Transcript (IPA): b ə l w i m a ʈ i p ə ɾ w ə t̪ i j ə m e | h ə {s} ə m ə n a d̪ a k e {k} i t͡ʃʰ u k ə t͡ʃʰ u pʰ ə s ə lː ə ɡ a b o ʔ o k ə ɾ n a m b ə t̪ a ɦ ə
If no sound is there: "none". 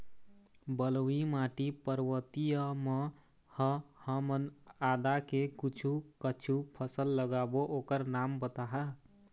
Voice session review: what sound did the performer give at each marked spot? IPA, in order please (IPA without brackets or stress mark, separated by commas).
h, k